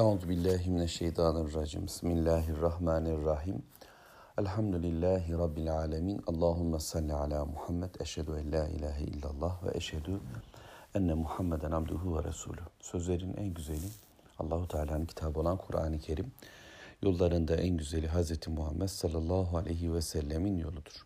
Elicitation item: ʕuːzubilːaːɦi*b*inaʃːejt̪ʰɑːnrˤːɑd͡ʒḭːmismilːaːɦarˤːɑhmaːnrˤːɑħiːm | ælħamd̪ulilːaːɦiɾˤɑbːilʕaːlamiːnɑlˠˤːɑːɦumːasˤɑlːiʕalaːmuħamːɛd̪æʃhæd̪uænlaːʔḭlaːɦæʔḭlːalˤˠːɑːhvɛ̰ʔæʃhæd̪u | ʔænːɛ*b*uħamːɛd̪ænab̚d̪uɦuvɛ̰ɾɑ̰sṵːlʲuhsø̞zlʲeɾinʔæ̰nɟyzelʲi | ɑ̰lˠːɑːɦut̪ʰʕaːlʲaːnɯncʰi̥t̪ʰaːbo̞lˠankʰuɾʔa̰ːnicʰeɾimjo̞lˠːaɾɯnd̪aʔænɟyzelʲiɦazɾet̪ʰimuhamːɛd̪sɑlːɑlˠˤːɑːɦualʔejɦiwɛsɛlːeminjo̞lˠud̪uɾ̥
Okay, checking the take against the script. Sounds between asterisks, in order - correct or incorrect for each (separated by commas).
incorrect, incorrect